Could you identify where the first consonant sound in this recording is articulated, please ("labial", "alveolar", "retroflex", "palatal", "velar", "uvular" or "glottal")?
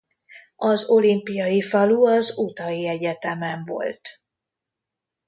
alveolar